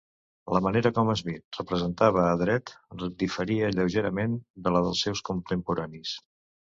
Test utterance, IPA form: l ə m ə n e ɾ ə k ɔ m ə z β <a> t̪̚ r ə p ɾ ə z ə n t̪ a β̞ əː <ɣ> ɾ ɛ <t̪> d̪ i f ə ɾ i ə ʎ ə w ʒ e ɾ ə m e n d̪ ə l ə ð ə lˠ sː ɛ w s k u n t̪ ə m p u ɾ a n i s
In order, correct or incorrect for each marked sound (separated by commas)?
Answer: incorrect, incorrect, correct